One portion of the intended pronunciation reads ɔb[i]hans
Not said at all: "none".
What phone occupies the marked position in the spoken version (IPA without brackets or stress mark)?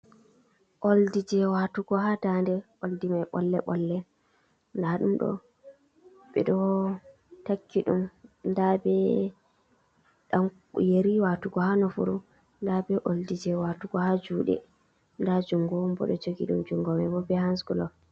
ɛ